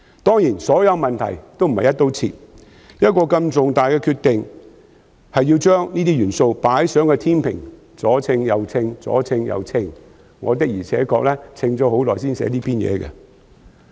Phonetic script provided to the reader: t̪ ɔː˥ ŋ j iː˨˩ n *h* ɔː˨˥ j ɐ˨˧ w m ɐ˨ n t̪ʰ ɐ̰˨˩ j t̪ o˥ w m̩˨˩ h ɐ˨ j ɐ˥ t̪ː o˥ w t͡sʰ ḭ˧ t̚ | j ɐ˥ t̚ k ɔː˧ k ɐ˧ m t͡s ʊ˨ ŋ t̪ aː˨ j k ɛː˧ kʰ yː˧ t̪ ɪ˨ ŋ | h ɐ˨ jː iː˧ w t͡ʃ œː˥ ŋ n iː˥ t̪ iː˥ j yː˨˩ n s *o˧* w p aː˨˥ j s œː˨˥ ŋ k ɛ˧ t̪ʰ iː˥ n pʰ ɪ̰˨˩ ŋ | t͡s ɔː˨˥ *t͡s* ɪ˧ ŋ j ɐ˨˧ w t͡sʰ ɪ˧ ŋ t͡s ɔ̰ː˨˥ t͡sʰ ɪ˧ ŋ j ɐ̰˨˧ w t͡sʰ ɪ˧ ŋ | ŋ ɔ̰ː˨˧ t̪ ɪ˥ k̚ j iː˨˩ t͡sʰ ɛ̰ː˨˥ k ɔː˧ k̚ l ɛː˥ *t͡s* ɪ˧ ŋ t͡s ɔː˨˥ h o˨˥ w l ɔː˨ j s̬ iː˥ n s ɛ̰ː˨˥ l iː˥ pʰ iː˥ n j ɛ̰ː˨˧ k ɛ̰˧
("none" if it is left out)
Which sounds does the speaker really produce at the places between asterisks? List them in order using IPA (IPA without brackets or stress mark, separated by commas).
s, o˧, t͡sʰ, t͡sʰ